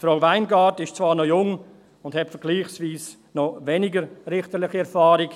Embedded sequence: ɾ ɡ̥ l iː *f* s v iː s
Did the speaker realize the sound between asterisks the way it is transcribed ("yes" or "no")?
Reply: no